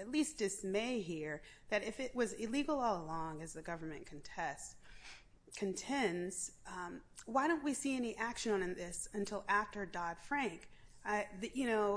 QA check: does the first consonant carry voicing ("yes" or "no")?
no